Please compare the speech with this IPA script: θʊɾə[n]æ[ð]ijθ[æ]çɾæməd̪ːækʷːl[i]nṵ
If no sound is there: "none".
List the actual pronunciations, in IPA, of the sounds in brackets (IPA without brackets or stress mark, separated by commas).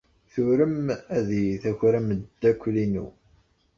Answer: m, ð, æ, i